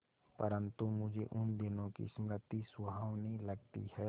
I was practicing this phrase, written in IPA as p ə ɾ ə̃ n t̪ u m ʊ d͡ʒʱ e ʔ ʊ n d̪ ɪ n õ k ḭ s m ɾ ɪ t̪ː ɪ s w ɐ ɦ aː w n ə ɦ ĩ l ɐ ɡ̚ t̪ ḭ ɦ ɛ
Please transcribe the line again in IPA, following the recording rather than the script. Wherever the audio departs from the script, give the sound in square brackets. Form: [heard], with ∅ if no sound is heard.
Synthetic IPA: p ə ɾ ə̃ n t̪ u m ʊ d͡ʒʱ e ʔ ʊ n d̪ ɪ n õ k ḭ s m ɾ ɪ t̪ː [i] s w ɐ ɦ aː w n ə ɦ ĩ l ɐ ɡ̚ t̪ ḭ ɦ ɛ